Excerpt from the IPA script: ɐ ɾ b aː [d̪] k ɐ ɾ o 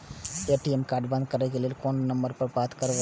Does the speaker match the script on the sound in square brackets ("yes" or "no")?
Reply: no